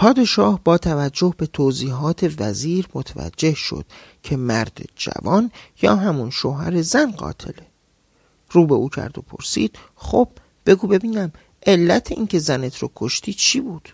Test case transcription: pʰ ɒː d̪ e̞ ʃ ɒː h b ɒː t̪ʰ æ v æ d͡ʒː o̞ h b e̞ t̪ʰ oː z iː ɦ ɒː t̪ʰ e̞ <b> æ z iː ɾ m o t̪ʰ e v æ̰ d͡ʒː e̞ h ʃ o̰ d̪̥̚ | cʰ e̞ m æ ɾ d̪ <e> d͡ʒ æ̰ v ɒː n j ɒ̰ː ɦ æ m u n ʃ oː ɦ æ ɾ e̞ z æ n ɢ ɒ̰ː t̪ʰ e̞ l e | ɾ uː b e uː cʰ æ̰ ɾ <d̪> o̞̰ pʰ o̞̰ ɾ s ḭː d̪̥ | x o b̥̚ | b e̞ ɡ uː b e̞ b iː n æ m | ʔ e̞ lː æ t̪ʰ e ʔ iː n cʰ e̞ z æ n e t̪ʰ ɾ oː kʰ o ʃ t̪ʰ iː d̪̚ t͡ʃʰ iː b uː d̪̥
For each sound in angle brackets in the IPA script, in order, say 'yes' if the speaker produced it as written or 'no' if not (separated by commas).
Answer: no, yes, yes